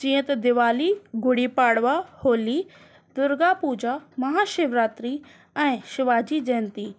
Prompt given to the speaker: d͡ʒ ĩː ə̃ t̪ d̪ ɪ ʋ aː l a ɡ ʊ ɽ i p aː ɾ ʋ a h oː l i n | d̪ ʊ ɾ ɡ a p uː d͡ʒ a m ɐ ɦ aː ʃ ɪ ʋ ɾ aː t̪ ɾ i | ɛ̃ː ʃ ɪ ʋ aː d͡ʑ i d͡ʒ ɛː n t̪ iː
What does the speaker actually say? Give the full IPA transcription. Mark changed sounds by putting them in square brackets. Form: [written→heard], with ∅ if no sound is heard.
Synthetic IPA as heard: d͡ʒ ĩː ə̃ t̪ d̪ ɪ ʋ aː l [a→i] ɡ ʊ ɽ i p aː [ɾ→ɽ] ʋ a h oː l i [n→∅] | d̪ ʊ ɾ ɡ a p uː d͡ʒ a m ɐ ɦ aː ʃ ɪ ʋ ɾ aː t̪ ɾ i | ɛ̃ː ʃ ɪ ʋ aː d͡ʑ i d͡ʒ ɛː n t̪ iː